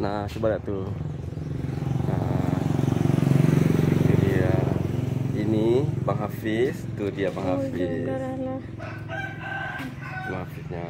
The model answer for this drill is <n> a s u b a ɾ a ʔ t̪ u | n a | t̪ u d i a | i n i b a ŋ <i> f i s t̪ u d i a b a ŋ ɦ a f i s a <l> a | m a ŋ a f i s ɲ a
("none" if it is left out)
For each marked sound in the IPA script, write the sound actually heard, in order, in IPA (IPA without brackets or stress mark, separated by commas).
n, a, l